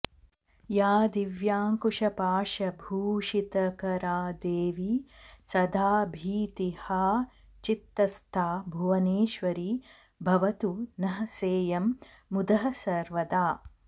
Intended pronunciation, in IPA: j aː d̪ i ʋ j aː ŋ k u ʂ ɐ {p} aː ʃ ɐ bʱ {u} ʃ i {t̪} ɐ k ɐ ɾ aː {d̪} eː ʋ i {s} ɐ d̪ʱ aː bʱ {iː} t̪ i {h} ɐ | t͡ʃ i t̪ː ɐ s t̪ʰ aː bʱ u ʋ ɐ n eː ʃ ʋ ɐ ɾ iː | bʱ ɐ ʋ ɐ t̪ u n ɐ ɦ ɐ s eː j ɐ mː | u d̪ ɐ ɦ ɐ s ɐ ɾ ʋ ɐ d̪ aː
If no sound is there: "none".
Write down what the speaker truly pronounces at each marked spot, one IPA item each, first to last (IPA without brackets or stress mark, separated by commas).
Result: p, uː, t̪, d̪, s, iː, h